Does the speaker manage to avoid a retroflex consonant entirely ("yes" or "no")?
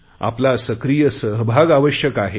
yes